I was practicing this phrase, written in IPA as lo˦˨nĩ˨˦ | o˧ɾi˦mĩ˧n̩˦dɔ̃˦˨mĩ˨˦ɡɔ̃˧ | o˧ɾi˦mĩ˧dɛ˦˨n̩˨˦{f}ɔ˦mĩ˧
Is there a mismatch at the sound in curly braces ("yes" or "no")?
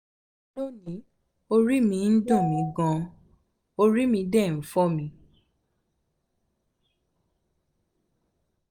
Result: no